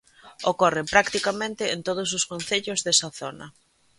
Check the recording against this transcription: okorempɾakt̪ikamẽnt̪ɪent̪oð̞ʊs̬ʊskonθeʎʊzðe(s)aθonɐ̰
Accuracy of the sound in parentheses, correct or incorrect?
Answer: correct